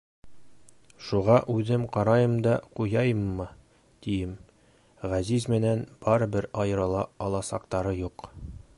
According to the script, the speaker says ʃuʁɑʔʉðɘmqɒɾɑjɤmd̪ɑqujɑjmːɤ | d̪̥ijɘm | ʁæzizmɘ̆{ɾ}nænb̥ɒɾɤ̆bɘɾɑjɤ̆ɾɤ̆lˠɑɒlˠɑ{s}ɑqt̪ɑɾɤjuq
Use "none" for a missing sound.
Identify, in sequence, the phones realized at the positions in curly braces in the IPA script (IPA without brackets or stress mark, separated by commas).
none, s